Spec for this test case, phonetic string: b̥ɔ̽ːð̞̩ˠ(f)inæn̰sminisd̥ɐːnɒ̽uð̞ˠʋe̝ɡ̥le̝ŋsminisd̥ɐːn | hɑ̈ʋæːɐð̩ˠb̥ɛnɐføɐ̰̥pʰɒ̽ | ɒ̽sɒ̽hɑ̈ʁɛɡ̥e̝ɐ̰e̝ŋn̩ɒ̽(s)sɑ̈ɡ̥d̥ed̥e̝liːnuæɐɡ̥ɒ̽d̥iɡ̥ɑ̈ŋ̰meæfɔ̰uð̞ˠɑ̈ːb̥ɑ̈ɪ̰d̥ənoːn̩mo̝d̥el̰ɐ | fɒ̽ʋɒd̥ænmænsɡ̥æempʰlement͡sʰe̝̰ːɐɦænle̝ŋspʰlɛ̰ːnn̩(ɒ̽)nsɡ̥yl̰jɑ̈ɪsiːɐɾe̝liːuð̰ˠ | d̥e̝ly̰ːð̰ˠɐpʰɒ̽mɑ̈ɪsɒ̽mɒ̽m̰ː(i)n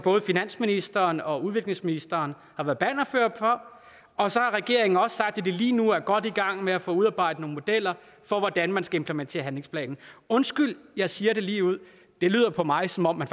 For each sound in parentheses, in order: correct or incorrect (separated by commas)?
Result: correct, correct, incorrect, incorrect